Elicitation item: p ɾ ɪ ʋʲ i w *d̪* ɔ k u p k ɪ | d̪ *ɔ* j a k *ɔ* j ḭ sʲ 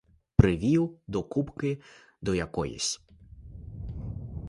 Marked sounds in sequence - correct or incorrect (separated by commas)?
correct, correct, correct